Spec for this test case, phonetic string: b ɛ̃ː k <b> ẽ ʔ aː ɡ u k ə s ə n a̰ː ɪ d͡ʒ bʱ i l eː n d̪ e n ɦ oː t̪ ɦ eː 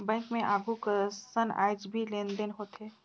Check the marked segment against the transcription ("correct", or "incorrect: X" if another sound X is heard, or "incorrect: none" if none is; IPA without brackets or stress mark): incorrect: m